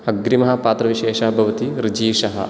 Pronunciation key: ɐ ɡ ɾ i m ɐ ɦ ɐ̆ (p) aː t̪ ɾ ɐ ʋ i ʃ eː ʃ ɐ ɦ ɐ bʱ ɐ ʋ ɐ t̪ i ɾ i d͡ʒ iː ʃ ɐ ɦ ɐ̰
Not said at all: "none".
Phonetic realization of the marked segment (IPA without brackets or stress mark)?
p